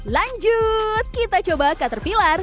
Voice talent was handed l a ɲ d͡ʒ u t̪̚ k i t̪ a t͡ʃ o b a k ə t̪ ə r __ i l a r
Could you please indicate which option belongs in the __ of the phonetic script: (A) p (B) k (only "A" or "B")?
A